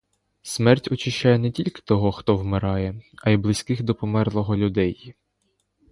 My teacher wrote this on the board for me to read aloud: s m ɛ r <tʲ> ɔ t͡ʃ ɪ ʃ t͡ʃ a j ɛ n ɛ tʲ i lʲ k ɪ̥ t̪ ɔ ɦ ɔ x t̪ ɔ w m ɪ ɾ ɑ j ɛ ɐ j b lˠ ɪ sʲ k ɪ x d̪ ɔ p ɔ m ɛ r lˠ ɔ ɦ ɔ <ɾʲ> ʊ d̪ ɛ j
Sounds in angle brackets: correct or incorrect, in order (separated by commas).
correct, incorrect